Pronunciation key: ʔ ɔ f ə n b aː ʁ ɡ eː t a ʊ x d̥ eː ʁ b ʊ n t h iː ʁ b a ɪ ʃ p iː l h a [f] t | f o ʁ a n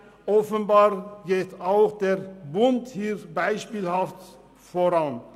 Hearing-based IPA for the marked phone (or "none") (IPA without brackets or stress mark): f